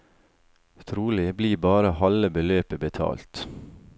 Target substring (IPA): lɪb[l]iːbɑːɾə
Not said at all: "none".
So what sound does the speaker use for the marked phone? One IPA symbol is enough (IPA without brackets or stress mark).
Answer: l